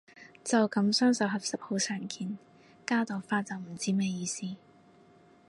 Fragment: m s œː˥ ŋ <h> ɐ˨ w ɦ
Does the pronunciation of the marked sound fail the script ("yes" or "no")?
yes